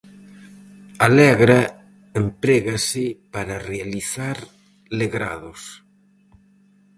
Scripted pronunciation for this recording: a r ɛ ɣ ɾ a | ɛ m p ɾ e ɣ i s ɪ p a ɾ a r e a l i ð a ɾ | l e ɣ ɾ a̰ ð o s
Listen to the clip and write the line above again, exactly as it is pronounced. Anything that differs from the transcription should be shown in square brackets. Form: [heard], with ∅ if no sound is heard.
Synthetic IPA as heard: a [l] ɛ ɣ ɾ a | [e] m p ɾ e ɣ [a] s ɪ p a ɾ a r e a l i [θ] a ɾ | l e ɣ ɾ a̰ ð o s